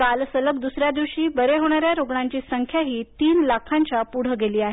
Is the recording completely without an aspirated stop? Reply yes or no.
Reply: no